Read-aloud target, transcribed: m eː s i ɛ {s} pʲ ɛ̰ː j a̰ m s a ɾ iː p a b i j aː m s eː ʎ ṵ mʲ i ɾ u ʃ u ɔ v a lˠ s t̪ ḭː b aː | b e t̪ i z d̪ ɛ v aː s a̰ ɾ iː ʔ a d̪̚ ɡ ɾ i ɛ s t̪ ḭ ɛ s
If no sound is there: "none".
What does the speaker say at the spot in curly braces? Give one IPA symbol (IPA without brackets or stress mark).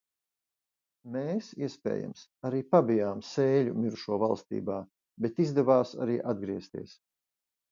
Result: s